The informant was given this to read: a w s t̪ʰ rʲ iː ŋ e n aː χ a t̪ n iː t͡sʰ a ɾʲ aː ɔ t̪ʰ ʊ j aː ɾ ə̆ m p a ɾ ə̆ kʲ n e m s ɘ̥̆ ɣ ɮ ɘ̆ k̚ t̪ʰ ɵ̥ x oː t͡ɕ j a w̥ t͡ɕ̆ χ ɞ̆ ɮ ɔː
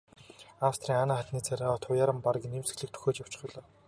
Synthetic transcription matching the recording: a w s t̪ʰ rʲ iː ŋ a n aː χ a t̪ n iː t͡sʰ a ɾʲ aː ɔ t̪ʰ ʊ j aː ɾ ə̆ m p a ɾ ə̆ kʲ n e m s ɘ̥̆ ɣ ɮ ɘ̆ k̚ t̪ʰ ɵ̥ x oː t͡ɕ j a w̥ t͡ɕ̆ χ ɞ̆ ɮ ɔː